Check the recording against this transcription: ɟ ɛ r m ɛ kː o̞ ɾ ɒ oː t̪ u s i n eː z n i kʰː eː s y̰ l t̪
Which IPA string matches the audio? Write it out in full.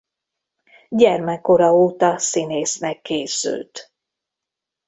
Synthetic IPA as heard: ɟ ɛ r m ɛ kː o̞ ɾ ɒ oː t̪ ɒ s i n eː s n ɛ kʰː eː s y̰ l t̪